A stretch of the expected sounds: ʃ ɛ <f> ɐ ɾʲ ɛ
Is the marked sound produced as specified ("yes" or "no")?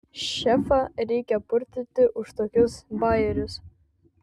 yes